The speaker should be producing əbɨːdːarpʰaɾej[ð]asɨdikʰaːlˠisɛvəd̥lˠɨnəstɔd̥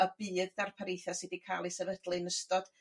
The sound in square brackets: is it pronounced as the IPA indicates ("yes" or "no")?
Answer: no